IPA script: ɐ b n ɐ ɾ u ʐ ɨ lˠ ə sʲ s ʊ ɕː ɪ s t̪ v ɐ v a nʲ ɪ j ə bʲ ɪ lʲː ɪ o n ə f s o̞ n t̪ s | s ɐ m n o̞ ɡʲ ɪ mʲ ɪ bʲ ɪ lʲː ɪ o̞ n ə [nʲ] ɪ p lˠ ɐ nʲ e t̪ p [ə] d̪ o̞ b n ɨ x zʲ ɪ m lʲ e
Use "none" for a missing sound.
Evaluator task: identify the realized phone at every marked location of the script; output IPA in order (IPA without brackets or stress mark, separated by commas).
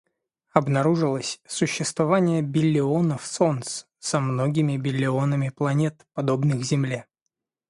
mʲ, ɐ